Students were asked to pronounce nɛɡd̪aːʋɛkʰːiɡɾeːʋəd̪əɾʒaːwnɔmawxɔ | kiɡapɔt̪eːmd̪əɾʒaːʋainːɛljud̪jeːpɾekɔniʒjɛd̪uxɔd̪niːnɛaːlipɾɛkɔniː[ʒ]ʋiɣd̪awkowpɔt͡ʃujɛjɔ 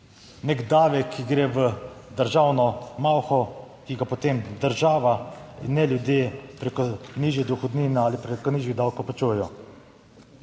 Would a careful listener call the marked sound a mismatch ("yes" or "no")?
no